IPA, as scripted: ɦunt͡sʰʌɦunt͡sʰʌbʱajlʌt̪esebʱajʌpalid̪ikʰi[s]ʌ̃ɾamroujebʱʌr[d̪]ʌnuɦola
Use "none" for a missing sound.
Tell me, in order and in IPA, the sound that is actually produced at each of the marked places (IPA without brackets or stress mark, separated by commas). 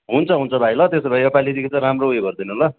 t͡s, d̪